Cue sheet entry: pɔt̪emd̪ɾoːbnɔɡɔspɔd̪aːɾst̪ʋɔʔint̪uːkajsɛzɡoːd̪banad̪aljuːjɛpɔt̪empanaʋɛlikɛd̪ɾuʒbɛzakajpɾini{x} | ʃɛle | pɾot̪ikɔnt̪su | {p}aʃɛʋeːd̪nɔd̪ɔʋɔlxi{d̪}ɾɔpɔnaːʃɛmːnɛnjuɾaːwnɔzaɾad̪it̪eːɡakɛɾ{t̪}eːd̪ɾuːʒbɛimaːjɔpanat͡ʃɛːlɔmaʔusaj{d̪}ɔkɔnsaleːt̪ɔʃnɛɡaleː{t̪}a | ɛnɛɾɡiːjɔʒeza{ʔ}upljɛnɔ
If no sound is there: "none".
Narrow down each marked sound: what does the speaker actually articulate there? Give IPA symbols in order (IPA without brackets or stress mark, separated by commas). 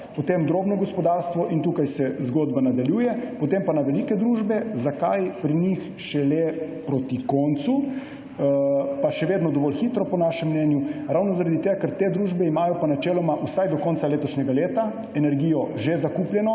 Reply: x, p, t̪, t̪, d̪, t̪, k